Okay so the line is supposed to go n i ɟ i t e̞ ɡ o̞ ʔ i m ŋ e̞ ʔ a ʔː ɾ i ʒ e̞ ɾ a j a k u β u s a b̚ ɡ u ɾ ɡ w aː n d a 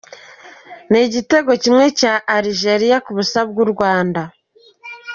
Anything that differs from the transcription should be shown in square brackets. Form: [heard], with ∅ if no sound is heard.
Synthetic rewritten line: n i ɟ i t e̞ ɡ o̞ [c] i m ŋ e̞ [c] a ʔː ɾ i ʒ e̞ ɾ [i] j a k u β u s a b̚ ɡ u ɾ ɡ w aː n d a